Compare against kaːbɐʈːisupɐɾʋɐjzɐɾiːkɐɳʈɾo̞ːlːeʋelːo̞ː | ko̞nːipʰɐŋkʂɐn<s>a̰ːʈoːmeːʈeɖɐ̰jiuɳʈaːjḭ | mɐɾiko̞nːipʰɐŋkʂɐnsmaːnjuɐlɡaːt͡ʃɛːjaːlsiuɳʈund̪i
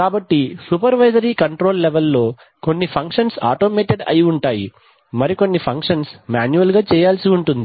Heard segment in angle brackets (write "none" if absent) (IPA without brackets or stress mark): s